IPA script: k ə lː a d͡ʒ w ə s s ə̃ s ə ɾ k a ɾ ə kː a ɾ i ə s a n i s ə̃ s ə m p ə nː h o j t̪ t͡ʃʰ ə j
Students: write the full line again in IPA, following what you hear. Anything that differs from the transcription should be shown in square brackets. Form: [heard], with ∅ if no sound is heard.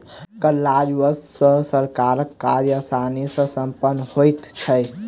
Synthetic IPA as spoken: k ə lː a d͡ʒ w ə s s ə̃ s ə ɾ k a ɾ ə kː a ɾ [j] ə s a n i s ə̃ s ə m p ə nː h o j t̪ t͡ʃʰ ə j